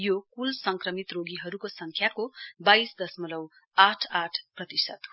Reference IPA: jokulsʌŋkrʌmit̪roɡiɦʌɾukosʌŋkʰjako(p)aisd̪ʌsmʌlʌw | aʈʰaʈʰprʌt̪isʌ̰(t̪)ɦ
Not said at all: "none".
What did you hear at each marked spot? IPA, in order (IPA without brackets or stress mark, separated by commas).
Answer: b, t̪